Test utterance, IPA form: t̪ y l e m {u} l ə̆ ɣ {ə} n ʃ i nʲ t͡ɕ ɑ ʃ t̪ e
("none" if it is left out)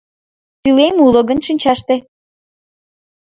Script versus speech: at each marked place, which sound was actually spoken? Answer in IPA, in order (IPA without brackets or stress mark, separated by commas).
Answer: u, ə